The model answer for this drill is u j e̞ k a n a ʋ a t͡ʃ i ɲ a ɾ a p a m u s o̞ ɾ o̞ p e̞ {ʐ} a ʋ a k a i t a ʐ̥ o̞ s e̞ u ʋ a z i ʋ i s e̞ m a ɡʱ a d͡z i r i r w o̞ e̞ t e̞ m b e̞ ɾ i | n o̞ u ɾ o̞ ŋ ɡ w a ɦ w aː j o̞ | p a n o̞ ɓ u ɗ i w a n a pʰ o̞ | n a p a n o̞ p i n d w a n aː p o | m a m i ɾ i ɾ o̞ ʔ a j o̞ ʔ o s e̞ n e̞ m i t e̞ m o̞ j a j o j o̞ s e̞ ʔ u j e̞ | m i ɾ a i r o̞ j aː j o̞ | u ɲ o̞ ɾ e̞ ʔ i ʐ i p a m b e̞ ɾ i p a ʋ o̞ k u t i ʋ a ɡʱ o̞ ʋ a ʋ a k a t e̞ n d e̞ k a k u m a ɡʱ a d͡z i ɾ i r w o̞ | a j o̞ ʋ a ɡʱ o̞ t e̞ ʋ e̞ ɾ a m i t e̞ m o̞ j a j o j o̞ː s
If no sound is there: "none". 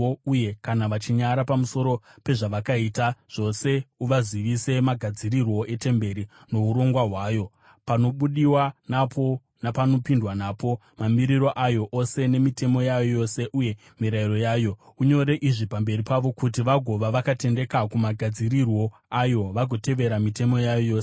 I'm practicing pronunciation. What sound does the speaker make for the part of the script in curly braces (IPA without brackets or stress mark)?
ʐ